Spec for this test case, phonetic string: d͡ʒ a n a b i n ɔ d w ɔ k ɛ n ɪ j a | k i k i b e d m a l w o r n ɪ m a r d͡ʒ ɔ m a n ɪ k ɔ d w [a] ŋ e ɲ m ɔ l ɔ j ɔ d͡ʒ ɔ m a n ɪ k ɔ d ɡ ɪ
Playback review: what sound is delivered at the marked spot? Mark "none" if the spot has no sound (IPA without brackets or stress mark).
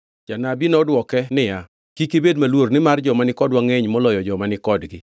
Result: a